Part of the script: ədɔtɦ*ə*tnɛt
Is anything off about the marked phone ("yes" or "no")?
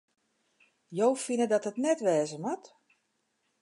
no